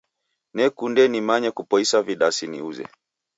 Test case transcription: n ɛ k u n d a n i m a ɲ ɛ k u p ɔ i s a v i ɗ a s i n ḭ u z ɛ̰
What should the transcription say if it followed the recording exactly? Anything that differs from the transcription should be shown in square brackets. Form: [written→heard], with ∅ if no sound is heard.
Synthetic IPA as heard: n ɛ k u n d [a→ɛ] n i m a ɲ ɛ k u p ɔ i s a v i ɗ a s i n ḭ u z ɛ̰